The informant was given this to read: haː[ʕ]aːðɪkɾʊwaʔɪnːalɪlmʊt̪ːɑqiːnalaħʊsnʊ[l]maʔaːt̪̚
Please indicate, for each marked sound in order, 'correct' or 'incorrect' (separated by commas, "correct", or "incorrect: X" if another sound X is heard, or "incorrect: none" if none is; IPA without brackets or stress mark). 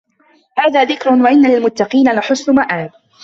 incorrect: ð, incorrect: none